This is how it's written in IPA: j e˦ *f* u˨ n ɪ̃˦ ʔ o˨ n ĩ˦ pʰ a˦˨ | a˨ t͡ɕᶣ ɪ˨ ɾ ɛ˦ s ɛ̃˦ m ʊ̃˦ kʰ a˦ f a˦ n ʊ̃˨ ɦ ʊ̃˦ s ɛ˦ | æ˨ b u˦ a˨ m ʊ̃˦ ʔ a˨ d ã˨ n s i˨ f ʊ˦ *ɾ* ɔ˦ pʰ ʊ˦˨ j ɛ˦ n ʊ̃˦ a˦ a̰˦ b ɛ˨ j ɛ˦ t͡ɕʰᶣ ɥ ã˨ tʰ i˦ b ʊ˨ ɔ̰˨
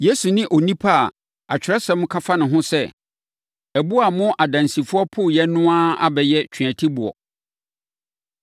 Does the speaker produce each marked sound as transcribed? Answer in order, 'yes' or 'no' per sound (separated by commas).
no, no